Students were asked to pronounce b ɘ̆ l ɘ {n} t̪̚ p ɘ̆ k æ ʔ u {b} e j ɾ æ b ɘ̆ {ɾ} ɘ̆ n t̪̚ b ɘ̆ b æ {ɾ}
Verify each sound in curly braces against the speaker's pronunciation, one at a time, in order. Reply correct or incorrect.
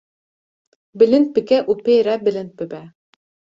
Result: correct, incorrect: p, incorrect: l, incorrect: none

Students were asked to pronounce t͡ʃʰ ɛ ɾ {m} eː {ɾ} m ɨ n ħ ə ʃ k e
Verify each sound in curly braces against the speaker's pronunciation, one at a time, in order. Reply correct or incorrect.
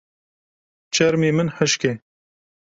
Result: correct, incorrect: none

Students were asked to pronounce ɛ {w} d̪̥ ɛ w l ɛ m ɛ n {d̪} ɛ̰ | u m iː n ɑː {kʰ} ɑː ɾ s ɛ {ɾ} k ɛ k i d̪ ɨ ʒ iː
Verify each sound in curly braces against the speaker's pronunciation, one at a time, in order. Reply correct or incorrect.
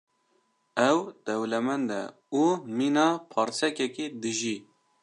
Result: correct, correct, incorrect: pʰ, incorrect: none

